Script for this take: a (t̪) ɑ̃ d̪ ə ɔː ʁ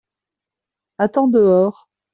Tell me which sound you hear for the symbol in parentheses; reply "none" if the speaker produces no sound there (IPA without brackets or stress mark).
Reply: t̪